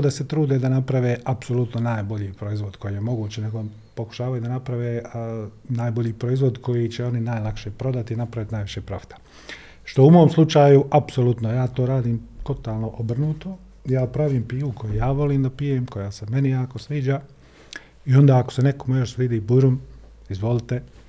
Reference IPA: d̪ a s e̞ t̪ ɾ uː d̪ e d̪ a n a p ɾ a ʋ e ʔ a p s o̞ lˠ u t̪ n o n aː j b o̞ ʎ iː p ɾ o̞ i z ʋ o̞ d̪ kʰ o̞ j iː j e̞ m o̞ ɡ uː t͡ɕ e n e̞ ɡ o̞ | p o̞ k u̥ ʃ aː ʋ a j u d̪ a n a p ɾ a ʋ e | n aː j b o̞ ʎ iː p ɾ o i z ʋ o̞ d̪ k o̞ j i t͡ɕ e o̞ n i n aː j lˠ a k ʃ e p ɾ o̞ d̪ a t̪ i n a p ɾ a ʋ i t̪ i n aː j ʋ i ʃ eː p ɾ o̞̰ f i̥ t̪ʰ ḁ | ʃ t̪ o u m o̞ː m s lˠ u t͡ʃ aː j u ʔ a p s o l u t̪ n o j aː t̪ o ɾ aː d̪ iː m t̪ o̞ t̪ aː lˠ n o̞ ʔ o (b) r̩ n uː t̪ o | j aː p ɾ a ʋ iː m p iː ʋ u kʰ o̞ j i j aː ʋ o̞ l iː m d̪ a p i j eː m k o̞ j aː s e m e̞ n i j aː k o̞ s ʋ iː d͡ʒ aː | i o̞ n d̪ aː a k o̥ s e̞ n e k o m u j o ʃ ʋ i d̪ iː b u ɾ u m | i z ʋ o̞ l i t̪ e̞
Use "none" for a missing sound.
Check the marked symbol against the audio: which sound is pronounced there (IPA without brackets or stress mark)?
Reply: b